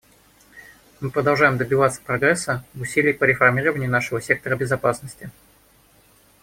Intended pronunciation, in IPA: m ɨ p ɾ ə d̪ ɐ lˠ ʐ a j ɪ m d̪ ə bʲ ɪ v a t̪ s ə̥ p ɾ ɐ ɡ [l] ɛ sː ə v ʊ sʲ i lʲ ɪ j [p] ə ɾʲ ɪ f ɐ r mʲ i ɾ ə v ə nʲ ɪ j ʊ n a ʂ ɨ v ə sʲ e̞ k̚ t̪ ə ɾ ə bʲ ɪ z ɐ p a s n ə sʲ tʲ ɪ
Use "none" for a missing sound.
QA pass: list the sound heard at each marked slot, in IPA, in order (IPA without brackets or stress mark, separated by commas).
ɾ, p